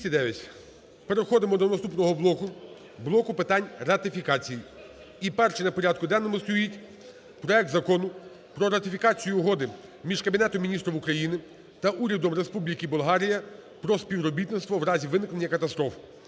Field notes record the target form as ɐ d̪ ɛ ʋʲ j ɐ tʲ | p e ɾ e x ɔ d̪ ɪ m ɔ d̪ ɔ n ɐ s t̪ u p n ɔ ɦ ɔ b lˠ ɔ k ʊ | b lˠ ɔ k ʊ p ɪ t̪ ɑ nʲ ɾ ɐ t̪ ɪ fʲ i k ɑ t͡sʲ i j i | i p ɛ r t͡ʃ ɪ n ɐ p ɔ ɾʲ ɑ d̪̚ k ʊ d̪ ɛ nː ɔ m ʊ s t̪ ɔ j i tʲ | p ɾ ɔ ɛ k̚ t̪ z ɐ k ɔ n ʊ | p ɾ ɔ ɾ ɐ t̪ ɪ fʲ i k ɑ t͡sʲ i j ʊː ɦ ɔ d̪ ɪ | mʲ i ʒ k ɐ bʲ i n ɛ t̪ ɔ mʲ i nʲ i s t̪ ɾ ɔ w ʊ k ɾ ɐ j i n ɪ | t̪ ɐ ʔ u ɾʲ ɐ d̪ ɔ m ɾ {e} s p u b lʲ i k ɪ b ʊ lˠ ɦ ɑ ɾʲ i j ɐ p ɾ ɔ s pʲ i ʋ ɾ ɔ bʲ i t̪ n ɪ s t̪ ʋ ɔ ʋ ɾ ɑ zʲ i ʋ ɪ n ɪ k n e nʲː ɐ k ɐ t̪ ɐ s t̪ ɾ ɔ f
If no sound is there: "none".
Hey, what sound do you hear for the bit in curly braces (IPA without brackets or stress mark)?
e